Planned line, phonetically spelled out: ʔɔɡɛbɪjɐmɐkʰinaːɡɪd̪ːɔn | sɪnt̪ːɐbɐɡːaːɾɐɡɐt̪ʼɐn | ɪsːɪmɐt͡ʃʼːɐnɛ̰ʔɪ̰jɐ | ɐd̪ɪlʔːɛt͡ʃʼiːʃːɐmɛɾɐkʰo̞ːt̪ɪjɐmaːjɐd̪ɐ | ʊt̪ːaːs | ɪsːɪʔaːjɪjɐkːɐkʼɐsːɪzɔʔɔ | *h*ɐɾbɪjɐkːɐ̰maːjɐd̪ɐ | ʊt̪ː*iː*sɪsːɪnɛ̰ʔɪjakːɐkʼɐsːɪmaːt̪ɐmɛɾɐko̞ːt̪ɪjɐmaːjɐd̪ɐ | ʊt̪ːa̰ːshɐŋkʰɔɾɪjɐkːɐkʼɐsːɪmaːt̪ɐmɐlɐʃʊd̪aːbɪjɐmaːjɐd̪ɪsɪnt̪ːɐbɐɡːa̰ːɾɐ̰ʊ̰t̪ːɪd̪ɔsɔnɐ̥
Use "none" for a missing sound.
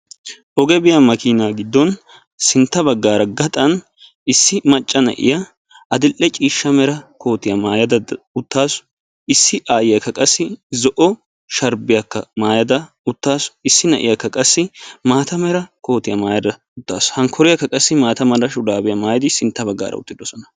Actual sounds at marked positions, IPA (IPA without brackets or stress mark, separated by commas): ʃ, aː